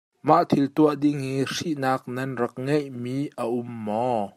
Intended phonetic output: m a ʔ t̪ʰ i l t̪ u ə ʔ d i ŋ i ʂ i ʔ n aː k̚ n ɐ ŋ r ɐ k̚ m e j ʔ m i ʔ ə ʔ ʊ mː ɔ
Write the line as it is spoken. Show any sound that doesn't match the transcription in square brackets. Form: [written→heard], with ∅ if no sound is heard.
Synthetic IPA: m a ʔ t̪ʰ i l t̪ u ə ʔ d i ŋ i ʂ i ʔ n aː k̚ n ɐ [ŋ→n] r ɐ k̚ [m→ŋ] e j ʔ m i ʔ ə ʔ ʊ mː ɔ

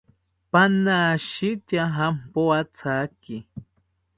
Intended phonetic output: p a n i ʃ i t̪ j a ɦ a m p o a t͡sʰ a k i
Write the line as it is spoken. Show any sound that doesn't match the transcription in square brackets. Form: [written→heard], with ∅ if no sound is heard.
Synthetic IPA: p a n [i→a] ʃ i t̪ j a ɦ a m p o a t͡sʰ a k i

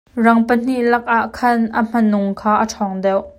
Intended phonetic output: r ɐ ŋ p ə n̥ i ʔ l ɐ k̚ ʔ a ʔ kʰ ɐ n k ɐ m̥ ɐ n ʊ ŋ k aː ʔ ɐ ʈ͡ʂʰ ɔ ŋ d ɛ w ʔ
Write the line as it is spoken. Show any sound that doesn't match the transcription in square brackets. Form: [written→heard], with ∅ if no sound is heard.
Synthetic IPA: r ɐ ŋ p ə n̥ i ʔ l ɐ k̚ ʔ a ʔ kʰ ɐ n [k→ʔ] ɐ m̥ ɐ n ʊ ŋ [k→kʰ] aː ʔ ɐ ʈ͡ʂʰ ɔ ŋ d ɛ w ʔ

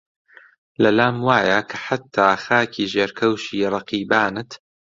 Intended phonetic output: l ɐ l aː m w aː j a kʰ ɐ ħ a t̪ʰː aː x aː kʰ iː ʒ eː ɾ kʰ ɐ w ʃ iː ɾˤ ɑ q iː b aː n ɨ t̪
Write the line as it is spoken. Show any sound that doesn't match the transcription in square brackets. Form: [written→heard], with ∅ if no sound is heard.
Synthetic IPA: l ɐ l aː m w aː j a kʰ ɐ ħ a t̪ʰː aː x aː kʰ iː ʒ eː ɾ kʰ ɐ w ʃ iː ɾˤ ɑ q iː b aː n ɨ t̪

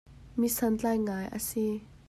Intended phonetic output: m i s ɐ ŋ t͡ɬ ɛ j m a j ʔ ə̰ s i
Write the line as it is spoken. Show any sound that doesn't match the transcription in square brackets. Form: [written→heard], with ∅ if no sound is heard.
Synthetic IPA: m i s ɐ [ŋ→n] t͡ɬ [ɛ→a] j [m→ŋ] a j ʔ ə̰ s i

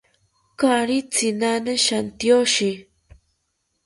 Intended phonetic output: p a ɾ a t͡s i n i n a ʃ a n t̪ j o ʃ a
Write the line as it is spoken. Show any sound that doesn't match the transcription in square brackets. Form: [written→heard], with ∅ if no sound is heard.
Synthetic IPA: [p→k] a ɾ [a→i] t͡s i n [i→a] n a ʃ a n t̪ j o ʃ [a→i]

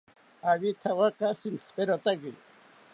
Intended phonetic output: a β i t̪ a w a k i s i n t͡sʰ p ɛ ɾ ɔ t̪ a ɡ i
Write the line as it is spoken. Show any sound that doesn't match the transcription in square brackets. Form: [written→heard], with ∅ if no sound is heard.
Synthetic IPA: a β i [t̪→t̪ʰ] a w a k [i→a] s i n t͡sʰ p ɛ ɾ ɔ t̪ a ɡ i

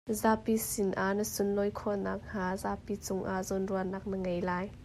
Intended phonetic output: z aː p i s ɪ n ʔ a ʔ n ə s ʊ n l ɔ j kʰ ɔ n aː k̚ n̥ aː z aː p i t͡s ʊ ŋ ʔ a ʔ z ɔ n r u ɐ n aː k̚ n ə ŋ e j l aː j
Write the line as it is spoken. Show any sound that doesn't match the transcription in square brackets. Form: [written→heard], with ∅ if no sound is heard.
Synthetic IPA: z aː p i s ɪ n ʔ a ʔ n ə s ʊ n l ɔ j kʰ ɔ n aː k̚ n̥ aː z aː p i t͡s ʊ ŋ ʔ a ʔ z ɔ n r u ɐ n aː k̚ n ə ŋ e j l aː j

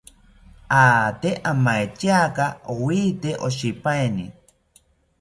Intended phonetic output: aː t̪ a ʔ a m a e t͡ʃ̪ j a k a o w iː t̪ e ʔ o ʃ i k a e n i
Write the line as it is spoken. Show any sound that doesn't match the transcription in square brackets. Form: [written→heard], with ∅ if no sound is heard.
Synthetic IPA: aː t̪ [a→e] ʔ a m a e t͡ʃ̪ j a k a o w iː t̪ e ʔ o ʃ i [k→p] a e n i

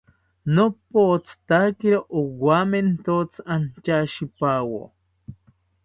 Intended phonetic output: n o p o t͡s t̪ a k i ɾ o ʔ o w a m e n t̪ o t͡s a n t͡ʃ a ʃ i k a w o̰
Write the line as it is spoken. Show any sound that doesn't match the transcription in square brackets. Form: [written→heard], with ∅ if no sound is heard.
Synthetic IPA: n o p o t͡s t̪ a k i ɾ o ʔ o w a m e n t̪ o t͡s a n t͡ʃ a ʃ i [k→p] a w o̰

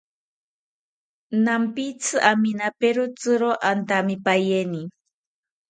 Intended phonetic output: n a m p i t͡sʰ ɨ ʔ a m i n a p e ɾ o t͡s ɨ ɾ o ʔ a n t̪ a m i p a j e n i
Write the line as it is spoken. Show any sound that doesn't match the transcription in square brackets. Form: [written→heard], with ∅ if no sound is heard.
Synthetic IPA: n a m p i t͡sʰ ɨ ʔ a m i n a p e ɾ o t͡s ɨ ɾ o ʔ a n t̪ a m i p a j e n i

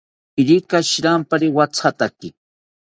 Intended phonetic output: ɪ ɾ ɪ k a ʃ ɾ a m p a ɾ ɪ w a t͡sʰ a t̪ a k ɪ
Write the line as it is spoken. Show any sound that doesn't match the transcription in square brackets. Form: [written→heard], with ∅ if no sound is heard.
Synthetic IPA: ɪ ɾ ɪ k a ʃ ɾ a m p a ɾ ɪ w a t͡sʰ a t̪ a k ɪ

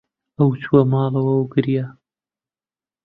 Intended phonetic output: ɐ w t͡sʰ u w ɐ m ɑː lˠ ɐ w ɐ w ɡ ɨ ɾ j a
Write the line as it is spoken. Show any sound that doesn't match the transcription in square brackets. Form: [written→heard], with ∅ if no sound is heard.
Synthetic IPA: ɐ w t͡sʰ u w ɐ m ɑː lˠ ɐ w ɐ w ɡ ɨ ɾ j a

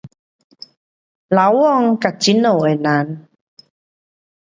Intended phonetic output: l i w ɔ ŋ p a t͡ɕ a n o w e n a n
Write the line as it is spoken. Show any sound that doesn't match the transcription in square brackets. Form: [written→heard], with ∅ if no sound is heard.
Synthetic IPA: l [i→a] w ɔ ŋ [p→k] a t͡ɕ [a→i] n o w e n a n

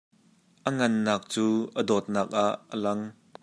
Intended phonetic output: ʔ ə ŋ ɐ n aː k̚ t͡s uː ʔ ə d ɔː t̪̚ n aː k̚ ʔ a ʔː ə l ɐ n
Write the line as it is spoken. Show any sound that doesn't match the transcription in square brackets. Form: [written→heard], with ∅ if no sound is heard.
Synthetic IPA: ʔ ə ŋ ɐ [n→nː] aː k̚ t͡s uː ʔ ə d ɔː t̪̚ n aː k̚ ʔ a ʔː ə l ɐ [n→ŋ]

